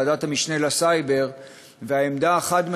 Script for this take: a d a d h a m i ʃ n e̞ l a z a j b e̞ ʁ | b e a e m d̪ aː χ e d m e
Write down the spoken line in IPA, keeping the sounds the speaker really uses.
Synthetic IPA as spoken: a d a t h a m i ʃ n e̞ l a s a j b e̞ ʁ | v e a e m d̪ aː χ a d m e